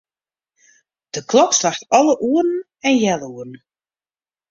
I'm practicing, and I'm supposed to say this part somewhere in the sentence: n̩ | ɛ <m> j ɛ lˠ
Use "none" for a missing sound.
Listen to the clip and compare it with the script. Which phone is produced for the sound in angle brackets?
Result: n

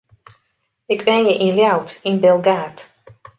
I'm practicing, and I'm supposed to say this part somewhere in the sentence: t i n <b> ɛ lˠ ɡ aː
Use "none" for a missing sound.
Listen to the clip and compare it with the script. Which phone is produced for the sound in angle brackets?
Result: b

